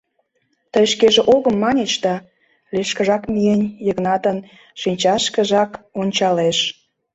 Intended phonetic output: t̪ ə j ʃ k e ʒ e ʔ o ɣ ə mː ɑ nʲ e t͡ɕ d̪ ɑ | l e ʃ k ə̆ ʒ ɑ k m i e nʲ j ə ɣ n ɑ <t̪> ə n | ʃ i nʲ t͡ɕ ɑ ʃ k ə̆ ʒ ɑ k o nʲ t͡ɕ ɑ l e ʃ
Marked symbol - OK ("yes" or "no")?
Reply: yes